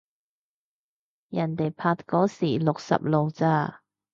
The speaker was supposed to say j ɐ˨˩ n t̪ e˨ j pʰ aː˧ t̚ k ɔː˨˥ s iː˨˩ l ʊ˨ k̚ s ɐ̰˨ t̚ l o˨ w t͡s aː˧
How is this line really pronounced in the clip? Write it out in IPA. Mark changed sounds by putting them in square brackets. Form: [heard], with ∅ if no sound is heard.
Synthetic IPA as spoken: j ɐ˨˩ n t̪ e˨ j pʰ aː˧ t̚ k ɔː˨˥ s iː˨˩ l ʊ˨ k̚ s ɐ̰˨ [p̚] l o˨ w t͡s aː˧